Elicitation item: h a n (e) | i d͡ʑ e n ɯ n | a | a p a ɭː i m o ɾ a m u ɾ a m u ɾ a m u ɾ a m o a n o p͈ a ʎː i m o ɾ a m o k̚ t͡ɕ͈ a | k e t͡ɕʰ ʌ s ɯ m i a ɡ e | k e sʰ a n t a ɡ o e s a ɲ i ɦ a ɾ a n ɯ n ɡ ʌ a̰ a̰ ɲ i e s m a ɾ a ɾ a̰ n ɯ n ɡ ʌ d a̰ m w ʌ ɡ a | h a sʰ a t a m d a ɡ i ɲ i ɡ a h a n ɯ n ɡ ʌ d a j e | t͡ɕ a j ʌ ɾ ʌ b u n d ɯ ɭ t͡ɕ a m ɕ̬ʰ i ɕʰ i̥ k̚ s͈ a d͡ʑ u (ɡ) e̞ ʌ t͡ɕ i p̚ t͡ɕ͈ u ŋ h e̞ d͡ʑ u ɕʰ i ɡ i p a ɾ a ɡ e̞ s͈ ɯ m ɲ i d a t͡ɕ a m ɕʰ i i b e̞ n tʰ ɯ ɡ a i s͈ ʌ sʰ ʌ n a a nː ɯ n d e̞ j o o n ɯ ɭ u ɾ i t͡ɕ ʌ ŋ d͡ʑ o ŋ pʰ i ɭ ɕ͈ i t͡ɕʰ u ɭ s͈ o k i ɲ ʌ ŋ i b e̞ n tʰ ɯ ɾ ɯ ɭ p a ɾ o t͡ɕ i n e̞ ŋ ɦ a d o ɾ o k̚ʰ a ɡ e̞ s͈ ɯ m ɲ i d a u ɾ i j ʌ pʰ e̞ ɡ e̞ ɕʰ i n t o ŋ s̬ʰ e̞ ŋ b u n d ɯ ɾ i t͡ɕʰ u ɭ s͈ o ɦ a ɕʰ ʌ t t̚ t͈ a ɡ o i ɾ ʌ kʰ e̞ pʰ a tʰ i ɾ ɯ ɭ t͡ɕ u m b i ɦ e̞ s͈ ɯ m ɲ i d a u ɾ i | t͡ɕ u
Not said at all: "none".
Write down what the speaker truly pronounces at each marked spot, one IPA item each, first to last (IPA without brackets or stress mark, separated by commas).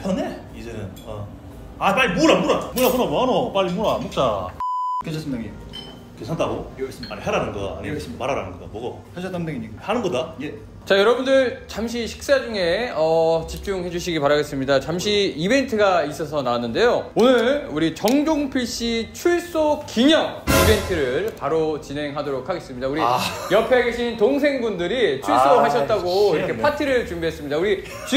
e, ŋ